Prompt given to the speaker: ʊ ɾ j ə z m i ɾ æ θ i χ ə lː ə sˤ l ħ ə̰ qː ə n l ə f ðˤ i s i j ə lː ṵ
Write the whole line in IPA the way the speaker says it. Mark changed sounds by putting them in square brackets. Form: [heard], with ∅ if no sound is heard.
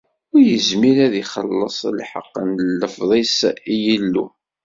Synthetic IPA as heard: ʊ ɾ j ə z m i ɾ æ [ð] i χ ə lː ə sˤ l ħ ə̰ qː ə n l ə f ðˤ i s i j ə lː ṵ